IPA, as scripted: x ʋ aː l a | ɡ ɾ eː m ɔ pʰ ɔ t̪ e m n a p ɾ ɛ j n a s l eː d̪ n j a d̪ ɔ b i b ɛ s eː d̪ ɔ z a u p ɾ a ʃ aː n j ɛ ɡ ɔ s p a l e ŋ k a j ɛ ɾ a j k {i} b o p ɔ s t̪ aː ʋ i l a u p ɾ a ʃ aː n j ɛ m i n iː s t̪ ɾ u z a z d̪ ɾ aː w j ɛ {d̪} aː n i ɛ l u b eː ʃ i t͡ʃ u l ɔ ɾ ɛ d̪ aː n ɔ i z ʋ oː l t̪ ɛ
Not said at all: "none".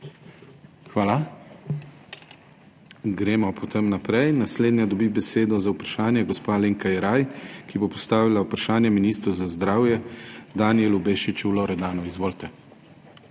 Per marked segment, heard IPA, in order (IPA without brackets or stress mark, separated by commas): i, d̪